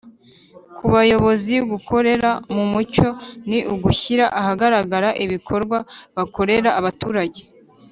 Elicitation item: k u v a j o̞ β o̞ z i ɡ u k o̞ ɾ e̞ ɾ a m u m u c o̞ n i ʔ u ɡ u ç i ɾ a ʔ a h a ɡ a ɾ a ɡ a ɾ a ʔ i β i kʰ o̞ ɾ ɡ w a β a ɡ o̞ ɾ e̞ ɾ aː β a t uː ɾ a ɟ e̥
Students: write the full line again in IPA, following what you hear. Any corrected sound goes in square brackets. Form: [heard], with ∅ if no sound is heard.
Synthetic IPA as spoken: k u [β] a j o̞ β o̞ z i ɡ u k o̞ ɾ e̞ ɾ a m u m u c o̞ n i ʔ u ɡ u ç i ɾ a ʔ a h a ɡ a ɾ a ɡ a ɾ a ʔ i β i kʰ o̞ ɾ ɡ w a β a [k] o̞ ɾ e̞ ɾ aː β a t uː ɾ a ɟ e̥